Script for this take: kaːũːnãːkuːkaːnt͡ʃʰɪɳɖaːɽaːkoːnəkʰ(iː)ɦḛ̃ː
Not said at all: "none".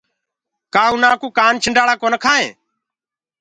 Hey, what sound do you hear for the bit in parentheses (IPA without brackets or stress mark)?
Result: aː